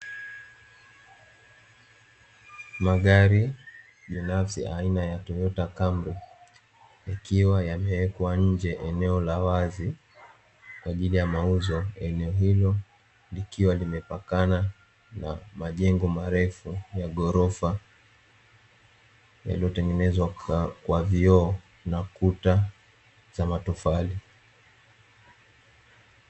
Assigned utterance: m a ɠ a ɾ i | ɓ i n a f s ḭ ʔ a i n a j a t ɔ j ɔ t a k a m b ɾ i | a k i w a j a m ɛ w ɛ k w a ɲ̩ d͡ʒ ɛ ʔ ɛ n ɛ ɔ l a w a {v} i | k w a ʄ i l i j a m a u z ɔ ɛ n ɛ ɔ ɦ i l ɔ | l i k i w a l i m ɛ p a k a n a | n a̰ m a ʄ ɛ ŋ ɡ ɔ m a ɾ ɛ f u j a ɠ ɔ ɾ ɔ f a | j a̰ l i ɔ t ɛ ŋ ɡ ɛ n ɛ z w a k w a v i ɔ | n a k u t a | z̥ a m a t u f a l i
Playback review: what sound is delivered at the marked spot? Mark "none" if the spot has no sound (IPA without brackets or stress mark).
z